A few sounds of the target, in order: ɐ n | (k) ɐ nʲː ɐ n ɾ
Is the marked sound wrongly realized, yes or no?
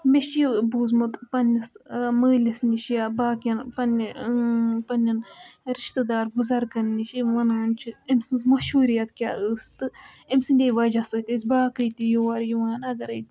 yes